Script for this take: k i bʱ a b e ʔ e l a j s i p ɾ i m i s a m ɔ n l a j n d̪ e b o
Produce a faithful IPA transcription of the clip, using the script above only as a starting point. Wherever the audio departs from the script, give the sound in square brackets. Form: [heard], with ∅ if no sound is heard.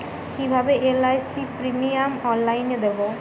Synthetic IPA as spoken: k i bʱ a b e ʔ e l a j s i p ɾ i m i [∅] a m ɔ n l a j n d̪ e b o